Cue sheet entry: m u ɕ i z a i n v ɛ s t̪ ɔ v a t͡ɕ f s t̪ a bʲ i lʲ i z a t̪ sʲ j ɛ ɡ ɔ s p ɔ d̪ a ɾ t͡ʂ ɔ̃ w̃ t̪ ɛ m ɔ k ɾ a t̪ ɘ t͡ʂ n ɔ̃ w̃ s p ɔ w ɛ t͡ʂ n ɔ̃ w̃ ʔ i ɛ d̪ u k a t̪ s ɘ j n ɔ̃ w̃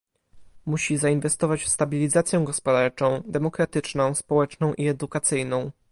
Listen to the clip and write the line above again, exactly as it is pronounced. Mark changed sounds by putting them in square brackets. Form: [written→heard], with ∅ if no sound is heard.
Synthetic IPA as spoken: m u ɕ i z a i n v ɛ s t̪ ɔ v a t͡ɕ f s t̪ a bʲ i lʲ i z a t̪ sʲ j ɛ ɡ ɔ s p ɔ d̪ a ɾ t͡ʂ ɔ̃ w̃ [t̪→d̪] ɛ m ɔ k ɾ a t̪ ɘ t͡ʂ n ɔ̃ w̃ s p ɔ w ɛ t͡ʂ n ɔ̃ w̃ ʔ i ɛ d̪ u k a t̪ s ɘ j n ɔ̃ w̃